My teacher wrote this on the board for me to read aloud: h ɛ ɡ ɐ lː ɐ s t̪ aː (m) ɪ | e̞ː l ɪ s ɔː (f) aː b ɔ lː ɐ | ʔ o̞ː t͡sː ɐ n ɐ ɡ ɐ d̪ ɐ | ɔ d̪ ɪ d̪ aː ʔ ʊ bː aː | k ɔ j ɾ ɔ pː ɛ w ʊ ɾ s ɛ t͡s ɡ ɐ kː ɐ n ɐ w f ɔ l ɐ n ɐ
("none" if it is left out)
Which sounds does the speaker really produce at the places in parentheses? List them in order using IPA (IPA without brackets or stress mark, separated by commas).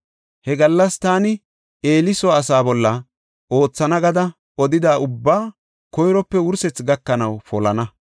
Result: n, s